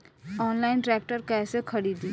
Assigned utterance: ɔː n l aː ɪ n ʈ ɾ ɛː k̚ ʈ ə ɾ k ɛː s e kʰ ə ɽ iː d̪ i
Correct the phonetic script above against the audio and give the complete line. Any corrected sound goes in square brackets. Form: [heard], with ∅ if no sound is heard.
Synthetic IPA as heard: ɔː n l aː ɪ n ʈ ɾ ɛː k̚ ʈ ə ɾ k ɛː s e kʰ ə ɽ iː d̪ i